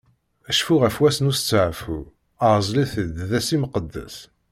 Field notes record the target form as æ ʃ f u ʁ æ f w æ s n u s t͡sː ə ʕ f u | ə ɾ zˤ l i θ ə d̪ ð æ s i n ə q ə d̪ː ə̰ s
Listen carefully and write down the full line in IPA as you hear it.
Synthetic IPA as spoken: æ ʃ f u ʁ æ f w æ s n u s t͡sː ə ʕ f u | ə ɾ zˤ l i θ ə d̪ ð æ s i m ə q ə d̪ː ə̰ s